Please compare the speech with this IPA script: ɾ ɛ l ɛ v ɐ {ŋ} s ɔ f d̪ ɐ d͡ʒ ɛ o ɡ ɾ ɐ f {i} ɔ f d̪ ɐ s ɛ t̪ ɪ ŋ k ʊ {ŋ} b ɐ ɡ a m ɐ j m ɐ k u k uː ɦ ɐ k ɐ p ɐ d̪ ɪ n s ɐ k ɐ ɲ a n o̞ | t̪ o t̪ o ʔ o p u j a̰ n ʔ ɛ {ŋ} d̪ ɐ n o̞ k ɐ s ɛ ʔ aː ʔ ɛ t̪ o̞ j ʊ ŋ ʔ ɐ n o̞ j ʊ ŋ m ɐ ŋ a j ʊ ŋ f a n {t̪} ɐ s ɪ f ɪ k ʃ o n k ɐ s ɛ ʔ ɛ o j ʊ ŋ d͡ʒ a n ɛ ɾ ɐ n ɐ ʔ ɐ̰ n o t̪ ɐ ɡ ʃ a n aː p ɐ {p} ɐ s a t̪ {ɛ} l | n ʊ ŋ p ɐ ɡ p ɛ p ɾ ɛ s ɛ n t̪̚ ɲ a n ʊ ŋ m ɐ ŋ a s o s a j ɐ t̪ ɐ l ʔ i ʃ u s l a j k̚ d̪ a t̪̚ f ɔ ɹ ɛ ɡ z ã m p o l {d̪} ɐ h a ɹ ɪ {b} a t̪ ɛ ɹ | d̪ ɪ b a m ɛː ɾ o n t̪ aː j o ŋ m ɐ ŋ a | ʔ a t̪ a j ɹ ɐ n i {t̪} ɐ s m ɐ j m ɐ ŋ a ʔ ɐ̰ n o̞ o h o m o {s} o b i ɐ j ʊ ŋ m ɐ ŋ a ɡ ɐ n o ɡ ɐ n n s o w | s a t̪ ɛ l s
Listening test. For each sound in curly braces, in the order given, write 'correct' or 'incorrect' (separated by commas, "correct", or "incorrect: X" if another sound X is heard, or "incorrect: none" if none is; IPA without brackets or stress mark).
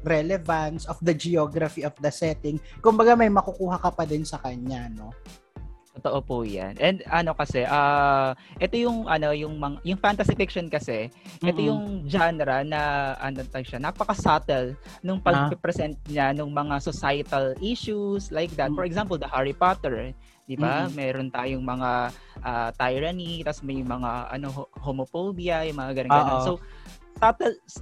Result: incorrect: n, correct, incorrect: m, incorrect: n, correct, incorrect: k, correct, correct, incorrect: p, correct, incorrect: f